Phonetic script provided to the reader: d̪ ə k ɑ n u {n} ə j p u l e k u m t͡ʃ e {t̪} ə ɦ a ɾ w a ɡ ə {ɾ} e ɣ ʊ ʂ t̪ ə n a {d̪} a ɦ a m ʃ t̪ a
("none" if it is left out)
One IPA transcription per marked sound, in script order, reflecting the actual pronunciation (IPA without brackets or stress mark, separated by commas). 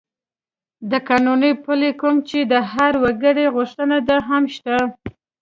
n, d̪, ɽ, d̪